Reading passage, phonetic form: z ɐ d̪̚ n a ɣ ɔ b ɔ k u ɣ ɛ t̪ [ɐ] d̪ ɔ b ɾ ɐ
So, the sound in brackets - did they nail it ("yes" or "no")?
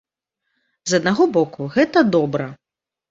yes